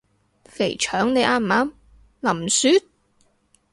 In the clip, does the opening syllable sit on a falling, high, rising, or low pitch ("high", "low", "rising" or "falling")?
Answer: low